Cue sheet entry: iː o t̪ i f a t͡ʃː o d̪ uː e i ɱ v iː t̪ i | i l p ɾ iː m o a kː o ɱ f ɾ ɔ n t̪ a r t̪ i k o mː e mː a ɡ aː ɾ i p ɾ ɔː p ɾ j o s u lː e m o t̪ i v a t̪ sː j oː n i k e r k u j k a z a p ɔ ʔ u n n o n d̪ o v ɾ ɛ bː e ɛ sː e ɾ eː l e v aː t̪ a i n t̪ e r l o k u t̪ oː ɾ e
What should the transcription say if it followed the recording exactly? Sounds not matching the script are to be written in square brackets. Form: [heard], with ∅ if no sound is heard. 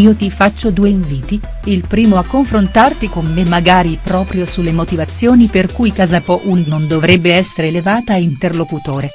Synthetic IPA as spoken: iː o t̪ i f a t͡ʃː o d̪ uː e i ɱ v iː t̪ i | i l p ɾ iː m o a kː o ɱ f ɾ [o] n t̪ a r t̪ i k o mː e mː a ɡ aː ɾ i p ɾ ɔː p ɾ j o s u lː e m o t̪ i v a t̪ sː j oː n i [p] e r k u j k a z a p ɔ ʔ u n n o n d̪ o v ɾ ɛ bː e ɛ sː e ɾ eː l e v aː t̪ a i n t̪ e r l o k u t̪ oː ɾ e